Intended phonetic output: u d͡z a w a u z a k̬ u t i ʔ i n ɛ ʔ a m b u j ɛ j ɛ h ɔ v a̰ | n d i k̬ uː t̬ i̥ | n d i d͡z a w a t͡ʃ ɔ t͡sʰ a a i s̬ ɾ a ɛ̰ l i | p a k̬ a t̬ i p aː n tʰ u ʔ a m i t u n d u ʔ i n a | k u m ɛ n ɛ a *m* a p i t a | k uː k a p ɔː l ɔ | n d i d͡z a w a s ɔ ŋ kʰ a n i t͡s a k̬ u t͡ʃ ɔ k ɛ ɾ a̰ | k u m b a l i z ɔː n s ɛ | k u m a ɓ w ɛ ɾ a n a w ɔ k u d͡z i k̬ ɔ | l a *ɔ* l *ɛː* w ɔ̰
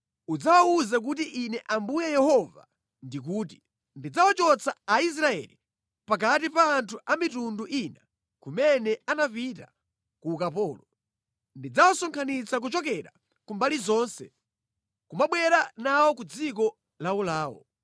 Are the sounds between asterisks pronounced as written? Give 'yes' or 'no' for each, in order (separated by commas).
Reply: no, no, no